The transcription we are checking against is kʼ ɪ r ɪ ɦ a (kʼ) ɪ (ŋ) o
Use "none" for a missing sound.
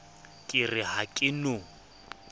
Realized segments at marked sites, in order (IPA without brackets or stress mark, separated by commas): kʼ, n